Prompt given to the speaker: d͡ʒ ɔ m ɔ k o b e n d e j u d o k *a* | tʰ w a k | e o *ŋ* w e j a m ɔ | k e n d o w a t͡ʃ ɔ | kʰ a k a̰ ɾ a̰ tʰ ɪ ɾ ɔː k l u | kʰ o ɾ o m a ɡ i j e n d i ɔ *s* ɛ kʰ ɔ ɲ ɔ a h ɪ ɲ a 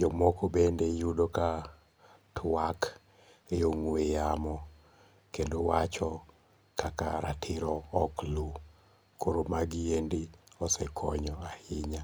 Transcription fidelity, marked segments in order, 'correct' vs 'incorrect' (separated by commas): correct, correct, correct